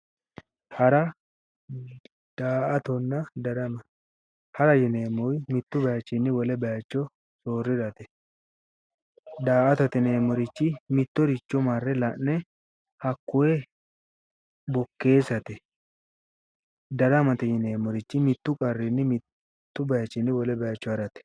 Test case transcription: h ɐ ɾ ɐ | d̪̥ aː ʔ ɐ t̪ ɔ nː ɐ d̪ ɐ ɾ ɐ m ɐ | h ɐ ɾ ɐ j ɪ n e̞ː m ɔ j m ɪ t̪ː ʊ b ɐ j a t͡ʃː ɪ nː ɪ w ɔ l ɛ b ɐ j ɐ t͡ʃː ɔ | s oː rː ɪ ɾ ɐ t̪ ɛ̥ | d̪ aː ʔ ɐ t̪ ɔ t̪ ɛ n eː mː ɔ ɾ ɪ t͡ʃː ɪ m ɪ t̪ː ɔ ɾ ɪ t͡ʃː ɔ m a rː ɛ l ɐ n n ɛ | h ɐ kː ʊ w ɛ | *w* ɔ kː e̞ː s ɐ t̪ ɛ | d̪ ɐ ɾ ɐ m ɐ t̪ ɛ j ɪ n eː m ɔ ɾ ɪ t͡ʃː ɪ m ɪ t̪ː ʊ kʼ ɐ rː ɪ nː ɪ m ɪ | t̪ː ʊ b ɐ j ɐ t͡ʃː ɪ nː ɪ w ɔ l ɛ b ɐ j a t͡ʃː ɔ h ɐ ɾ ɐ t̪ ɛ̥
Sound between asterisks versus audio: incorrect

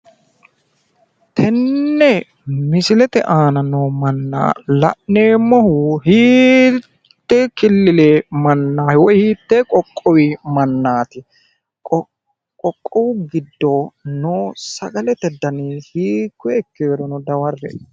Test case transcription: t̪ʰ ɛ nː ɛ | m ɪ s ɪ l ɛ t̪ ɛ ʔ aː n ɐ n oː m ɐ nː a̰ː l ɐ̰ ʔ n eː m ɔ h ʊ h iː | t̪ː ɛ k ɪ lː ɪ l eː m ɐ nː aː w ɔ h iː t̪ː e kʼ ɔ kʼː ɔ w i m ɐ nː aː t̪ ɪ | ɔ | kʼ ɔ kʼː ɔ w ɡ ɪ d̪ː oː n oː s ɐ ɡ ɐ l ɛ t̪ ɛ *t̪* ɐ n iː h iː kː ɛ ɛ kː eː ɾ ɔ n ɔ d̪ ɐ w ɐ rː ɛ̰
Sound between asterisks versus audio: incorrect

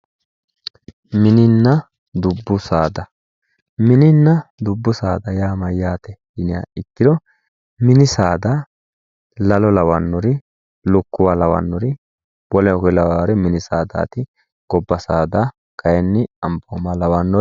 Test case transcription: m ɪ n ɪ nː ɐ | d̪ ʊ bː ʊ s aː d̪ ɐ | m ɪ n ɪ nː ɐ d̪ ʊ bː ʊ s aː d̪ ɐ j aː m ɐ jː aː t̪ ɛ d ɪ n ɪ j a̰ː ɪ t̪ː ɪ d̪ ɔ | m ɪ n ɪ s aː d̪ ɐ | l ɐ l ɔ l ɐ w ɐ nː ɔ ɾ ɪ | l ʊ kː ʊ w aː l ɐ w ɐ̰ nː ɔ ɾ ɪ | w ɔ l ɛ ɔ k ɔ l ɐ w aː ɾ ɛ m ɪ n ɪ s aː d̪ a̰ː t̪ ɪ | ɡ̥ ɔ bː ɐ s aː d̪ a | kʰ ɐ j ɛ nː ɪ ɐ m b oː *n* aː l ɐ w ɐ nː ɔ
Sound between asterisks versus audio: incorrect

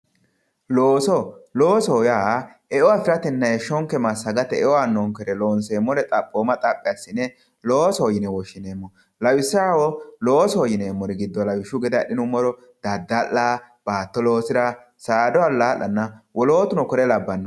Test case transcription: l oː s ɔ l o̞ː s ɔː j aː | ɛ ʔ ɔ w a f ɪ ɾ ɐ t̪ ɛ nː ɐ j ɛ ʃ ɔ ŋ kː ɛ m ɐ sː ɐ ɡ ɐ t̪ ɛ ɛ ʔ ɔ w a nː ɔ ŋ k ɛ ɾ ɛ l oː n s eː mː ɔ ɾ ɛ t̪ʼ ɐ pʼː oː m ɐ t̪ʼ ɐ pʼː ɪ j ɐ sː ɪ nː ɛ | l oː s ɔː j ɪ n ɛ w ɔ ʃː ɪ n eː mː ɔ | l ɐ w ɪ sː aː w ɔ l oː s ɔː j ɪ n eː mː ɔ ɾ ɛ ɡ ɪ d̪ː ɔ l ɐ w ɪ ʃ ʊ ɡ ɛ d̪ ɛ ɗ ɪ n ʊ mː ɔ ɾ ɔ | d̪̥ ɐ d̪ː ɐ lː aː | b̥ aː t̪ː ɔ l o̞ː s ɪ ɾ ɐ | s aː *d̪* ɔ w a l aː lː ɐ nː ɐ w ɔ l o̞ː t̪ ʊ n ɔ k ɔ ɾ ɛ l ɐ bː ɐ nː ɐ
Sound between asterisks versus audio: correct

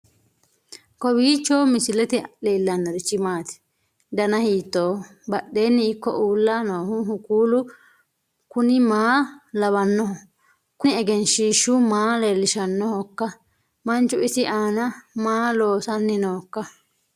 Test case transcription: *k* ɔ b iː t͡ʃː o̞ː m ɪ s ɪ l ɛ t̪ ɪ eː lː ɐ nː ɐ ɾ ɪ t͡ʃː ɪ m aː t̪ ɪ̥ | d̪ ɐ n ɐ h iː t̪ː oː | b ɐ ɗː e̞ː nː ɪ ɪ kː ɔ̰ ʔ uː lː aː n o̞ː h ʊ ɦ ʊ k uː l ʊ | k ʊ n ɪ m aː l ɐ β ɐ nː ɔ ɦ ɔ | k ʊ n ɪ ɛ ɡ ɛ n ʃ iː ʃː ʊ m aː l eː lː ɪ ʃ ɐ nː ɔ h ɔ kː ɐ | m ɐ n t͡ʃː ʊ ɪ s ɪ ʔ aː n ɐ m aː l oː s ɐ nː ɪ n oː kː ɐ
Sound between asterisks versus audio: correct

